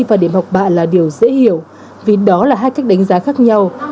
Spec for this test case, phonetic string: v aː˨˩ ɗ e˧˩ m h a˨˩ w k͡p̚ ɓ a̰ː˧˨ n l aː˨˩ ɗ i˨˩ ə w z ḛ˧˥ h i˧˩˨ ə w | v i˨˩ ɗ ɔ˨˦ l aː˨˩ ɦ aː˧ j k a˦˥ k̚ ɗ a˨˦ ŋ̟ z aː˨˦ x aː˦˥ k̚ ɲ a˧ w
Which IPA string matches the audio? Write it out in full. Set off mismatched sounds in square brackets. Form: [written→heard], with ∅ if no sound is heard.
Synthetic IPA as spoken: v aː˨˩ ɗ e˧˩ m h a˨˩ w k͡p̚ ɓ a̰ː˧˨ n l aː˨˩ ɗ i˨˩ ə w z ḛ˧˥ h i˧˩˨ ə w | v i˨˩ ɗ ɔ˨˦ l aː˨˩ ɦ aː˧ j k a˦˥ k̚ ɗ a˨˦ ŋ̟ z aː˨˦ x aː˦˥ k̚ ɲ a˧ w